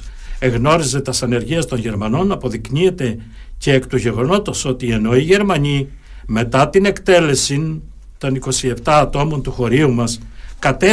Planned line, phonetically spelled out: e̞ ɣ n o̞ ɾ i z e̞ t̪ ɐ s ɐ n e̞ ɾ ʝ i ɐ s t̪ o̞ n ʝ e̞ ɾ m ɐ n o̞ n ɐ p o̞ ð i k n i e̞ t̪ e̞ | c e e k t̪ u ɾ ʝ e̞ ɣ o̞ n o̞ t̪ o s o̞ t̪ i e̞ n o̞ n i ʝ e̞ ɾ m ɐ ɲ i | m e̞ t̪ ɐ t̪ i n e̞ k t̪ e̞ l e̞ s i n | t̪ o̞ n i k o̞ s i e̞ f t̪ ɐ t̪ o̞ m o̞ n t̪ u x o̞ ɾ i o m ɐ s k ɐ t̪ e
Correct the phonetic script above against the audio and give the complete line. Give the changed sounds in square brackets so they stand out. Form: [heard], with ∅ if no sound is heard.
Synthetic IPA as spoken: e̞ ɣ n o̞ ɾ i z e̞ t̪ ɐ s ɐ n e̞ ɾ ʝ i ɐ s t̪ o̞ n ʝ e̞ ɾ m ɐ n o̞ n ɐ p o̞ ð i k n i e̞ t̪ e̞ | c e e k t̪ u [∅] ʝ e̞ ɣ o̞ n o̞ t̪ o s o̞ t̪ i e̞ n o̞ [∅] i ʝ e̞ ɾ m ɐ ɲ i | m e̞ t̪ ɐ t̪ i n e̞ k t̪ e̞ l e̞ s i n | t̪ o̞ n i k o̞ s i e̞ f t̪ [ɐː] t̪ o̞ m o̞ n t̪ u x o̞ ɾ i [u] m ɐ s k ɐ t̪ e